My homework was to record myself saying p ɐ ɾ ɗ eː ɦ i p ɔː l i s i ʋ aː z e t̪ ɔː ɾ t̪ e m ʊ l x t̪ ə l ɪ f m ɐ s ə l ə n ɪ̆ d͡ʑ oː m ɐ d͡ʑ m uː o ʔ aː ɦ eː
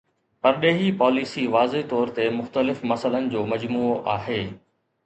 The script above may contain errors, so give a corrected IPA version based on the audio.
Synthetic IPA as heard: p ɐ ɾ ɗ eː ɦ i p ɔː l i s i ʋ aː z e t̪ ɔː ɾ t̪ e m ʊ x t̪ ə l ɪ f m ɐ s ə l ə n ɪ̆ d͡ʑ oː m ɐ d͡ʑ m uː o ʔ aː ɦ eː